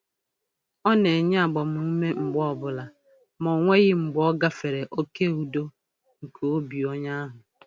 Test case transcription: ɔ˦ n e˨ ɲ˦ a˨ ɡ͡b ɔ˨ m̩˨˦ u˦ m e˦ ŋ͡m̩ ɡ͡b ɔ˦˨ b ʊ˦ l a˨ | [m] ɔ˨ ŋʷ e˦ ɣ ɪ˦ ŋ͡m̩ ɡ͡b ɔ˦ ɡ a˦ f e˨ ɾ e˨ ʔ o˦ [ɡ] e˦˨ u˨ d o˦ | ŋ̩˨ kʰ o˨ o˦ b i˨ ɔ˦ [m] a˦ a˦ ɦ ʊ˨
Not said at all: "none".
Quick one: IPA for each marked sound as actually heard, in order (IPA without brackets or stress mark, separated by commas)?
m, k, ɲ